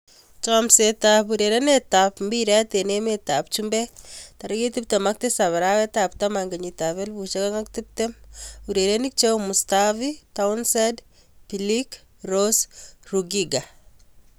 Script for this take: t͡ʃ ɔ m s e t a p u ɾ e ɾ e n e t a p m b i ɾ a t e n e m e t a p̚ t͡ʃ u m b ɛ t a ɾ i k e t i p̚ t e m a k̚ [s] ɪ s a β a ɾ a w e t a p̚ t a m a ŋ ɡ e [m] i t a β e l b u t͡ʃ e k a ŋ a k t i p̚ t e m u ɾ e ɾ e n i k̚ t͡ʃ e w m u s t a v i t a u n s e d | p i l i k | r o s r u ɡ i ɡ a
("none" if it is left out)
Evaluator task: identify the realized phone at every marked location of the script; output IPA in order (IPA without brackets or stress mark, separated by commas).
t, ɲ